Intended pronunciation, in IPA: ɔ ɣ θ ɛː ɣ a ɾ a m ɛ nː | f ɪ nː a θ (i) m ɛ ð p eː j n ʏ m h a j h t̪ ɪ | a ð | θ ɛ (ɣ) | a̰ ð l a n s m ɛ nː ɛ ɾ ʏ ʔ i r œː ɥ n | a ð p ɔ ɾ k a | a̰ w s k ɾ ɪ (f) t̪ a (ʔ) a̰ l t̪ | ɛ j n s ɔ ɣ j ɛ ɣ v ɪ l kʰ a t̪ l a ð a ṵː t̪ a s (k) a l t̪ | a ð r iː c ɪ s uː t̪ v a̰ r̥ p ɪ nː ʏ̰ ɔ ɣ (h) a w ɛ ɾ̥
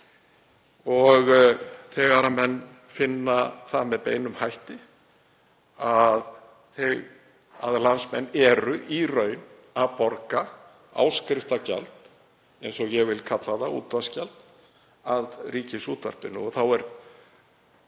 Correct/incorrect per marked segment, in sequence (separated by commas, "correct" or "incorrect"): incorrect, correct, correct, incorrect, incorrect, incorrect